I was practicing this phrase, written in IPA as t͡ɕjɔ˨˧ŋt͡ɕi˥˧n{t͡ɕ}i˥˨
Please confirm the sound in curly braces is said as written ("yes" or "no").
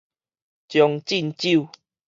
yes